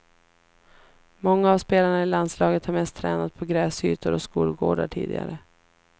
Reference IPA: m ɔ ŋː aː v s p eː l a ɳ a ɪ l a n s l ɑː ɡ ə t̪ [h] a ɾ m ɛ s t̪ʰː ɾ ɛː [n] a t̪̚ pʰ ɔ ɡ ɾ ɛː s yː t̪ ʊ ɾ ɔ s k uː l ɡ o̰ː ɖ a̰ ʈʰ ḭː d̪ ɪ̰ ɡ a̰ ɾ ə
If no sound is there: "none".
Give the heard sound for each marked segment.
h, n

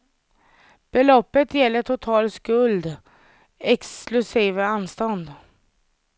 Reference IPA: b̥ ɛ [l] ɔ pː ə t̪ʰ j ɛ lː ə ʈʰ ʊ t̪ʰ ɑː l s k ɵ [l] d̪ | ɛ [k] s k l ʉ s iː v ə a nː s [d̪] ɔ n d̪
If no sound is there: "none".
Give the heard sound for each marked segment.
l, l, k, t̪

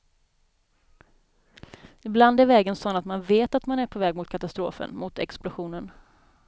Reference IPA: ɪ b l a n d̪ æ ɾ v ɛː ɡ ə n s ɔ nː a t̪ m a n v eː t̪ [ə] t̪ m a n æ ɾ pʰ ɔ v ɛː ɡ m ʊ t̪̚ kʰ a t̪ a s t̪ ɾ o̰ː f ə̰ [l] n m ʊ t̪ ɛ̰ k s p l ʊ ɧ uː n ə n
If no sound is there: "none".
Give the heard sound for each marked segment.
a, none

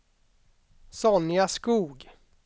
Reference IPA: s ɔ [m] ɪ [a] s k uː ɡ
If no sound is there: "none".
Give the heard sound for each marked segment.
n, a

